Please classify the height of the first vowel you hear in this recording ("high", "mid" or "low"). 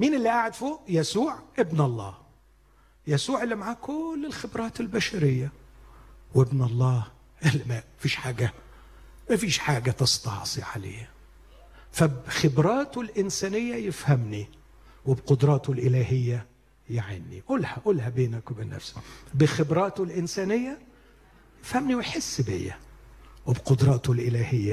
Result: high